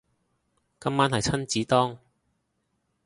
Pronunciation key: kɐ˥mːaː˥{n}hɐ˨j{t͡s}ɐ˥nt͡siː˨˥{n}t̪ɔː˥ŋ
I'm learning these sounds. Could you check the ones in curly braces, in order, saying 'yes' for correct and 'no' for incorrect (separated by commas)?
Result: yes, no, no